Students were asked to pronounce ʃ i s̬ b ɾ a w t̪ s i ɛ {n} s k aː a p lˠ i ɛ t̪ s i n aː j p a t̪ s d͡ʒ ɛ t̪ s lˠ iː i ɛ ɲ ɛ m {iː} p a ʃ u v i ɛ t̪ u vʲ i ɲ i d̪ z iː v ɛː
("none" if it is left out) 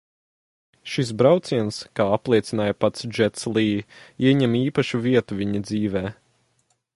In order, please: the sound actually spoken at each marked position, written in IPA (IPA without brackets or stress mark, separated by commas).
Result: n, iː